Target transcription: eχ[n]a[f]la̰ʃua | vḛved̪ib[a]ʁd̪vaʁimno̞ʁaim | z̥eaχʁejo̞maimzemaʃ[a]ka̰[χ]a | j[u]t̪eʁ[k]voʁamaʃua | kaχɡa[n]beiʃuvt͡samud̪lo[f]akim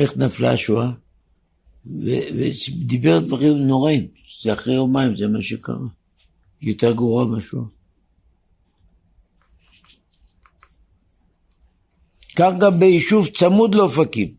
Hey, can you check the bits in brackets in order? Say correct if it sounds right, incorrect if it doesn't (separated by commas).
correct, correct, incorrect, incorrect, incorrect, incorrect, incorrect, incorrect, correct